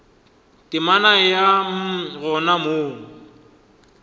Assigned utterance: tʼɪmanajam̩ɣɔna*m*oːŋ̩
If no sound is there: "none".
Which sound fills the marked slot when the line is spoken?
m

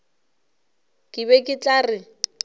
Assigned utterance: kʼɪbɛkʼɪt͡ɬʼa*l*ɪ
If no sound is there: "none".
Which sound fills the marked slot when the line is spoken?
r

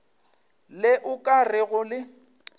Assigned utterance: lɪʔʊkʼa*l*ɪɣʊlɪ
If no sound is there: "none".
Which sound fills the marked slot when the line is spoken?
r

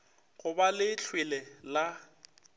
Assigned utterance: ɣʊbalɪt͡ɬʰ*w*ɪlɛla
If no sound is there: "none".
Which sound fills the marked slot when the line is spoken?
w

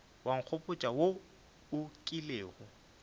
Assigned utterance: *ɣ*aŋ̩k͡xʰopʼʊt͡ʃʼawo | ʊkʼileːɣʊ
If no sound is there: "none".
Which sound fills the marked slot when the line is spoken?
w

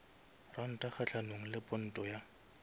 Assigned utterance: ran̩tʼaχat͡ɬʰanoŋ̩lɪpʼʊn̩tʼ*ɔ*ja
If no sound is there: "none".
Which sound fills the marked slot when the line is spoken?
ɔ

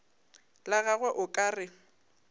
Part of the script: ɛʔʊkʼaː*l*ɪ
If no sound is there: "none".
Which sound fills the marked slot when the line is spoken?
r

